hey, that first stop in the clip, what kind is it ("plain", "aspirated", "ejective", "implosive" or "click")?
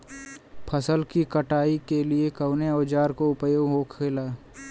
aspirated